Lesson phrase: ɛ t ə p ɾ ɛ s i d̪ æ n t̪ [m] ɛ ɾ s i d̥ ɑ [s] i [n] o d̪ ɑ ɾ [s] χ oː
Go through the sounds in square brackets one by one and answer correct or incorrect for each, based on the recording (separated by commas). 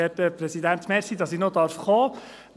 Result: correct, correct, correct, incorrect